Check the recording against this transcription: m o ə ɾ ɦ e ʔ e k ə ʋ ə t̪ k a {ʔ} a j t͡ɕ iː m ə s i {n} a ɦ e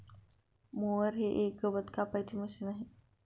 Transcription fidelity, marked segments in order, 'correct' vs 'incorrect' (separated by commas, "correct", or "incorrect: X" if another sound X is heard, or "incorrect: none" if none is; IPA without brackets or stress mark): incorrect: p, correct